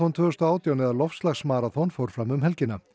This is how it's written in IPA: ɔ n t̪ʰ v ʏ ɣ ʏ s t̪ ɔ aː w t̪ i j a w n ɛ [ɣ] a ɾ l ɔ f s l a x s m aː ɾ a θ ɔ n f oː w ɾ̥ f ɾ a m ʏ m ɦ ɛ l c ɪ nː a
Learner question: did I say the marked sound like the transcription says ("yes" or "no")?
no